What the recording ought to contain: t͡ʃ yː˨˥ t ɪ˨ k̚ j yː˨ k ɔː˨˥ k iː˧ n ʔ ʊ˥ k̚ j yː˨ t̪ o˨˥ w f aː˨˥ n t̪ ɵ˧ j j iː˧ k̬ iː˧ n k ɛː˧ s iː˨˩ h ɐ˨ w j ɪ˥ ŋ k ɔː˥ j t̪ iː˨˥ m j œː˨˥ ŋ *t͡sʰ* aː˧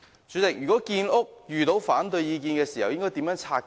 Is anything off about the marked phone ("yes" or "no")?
no